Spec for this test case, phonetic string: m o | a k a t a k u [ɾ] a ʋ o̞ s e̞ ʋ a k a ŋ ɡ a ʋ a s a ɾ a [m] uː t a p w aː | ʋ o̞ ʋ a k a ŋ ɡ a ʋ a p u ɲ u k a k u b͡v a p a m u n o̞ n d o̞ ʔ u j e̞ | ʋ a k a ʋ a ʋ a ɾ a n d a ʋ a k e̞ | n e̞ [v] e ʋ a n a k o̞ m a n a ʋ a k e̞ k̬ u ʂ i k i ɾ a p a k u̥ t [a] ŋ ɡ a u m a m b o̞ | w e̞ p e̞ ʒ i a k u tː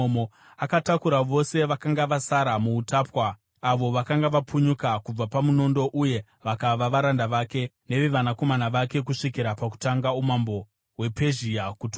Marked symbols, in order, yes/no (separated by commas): yes, yes, no, yes